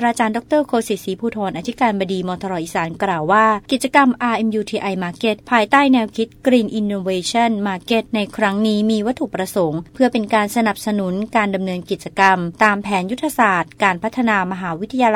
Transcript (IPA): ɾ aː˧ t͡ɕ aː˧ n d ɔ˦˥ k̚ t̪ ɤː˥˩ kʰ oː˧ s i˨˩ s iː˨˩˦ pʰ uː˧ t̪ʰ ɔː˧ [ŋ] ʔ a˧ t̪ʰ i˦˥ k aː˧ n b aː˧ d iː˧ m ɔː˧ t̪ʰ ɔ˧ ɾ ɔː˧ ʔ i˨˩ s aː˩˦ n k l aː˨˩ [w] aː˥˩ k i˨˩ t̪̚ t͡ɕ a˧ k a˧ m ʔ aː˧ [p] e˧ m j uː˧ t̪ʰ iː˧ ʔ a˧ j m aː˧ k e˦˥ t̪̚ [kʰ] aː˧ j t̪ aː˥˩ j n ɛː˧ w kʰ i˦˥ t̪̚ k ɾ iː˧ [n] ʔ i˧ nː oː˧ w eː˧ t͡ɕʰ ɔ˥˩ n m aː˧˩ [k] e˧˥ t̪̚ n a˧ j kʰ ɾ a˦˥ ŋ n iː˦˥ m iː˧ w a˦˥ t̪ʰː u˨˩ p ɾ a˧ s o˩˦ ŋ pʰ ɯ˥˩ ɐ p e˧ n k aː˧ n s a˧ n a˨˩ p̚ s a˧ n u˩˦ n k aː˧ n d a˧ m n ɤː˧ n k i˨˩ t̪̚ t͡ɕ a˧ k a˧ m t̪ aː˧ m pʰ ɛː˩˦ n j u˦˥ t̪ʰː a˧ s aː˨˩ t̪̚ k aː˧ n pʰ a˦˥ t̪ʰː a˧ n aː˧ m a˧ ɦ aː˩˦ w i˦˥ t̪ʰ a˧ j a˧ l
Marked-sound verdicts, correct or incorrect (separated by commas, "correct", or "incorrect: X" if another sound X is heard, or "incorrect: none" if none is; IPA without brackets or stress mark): incorrect: n, incorrect: wː, incorrect: ʔ, incorrect: pʰ, correct, correct